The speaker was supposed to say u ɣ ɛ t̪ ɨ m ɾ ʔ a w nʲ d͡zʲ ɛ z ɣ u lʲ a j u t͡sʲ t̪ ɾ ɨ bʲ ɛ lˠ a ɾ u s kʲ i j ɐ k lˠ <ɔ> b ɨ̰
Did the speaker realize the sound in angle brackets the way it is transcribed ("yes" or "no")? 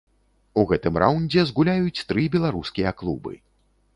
no